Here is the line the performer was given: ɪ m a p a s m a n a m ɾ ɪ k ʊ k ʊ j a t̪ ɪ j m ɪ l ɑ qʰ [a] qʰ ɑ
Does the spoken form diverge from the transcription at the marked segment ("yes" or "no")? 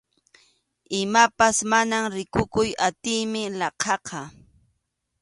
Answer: yes